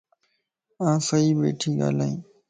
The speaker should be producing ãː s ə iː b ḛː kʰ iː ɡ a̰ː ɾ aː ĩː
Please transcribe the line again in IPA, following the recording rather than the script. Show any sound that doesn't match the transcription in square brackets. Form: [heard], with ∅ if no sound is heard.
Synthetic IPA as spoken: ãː s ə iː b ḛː [ʈʰ] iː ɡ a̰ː [l] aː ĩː